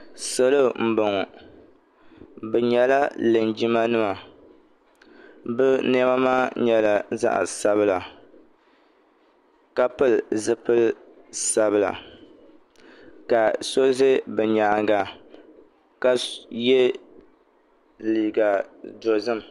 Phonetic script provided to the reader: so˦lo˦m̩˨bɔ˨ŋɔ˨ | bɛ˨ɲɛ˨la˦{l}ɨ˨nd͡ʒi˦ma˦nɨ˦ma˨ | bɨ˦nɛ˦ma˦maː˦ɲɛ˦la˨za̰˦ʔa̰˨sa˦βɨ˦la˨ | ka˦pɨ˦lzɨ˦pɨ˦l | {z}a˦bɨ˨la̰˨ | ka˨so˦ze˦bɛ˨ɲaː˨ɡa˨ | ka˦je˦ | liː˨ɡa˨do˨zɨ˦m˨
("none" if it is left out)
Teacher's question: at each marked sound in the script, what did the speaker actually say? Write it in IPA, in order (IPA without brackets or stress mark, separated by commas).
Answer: l, s